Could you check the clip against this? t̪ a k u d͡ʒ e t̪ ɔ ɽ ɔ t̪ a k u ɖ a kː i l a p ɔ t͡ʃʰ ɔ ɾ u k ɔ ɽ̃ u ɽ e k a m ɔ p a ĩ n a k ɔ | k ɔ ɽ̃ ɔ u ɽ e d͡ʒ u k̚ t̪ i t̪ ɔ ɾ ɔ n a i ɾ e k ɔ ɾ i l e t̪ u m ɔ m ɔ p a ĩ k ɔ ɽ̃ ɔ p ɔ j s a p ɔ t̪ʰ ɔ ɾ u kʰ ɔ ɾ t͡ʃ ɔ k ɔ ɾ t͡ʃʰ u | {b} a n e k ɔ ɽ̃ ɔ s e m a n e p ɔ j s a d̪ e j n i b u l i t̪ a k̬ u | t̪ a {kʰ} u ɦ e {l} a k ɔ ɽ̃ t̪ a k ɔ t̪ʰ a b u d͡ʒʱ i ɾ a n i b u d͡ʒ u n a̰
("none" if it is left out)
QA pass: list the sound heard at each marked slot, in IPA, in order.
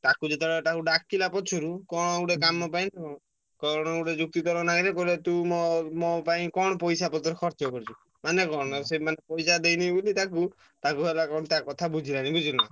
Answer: m, k, l

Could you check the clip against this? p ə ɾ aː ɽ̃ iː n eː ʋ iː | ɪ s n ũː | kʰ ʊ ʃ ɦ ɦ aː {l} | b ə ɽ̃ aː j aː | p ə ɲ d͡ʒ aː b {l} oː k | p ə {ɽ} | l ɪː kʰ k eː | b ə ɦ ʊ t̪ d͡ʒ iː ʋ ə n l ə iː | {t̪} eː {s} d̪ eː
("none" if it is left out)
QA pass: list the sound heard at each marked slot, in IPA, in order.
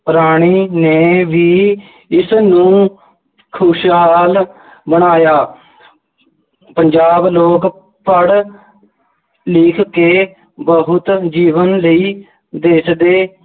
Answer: l, l, ɽ, d̪, s

